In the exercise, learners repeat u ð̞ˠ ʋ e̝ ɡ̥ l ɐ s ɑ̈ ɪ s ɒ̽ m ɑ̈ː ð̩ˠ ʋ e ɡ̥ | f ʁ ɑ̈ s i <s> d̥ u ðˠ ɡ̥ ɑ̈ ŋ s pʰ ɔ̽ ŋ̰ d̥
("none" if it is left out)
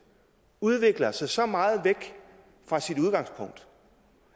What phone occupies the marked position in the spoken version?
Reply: none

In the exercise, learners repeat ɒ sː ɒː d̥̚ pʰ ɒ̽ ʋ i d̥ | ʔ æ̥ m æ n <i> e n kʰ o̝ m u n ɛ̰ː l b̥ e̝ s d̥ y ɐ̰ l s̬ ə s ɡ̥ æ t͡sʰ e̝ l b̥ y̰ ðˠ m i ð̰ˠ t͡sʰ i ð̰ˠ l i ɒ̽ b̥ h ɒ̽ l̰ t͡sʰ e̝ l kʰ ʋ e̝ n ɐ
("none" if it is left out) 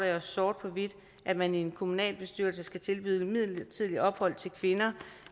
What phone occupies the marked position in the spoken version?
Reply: i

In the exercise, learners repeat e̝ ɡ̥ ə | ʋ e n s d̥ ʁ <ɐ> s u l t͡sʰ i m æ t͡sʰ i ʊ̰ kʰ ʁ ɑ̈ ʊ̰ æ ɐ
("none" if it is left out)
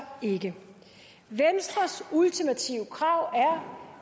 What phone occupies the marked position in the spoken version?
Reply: ɐ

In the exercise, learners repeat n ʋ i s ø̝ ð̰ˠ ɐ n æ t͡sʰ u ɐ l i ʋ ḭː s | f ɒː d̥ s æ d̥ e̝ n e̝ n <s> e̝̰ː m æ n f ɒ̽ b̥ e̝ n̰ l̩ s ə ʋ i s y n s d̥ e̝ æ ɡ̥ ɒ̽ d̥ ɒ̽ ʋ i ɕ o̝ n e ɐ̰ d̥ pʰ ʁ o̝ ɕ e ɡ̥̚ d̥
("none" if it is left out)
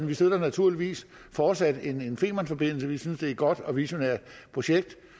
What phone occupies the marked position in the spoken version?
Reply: f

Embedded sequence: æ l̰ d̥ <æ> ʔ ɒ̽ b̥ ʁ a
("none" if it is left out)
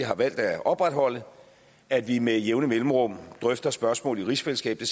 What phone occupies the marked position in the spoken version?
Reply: æ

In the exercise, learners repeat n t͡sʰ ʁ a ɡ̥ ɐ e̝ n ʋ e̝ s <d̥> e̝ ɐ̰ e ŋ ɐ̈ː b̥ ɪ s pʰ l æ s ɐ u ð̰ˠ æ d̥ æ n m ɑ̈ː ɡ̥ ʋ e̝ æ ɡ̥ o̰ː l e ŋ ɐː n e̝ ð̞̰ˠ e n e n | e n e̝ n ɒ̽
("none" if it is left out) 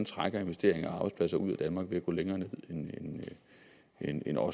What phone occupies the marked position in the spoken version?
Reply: d̥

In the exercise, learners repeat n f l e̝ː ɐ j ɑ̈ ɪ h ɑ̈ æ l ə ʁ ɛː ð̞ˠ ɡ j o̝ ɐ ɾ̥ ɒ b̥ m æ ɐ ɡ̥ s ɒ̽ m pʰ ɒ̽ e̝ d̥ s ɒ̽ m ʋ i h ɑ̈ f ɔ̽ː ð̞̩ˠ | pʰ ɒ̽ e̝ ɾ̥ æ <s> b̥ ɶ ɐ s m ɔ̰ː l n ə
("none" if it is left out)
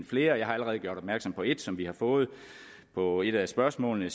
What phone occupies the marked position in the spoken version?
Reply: s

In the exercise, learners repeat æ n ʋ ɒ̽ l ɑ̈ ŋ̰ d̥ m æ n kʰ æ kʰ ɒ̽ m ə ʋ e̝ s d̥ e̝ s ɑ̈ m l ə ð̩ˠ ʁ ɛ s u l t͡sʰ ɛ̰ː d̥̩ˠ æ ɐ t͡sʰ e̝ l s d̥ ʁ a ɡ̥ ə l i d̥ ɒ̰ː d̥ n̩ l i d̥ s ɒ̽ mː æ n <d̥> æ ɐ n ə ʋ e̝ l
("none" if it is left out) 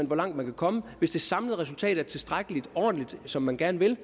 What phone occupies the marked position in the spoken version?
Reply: ɡ̥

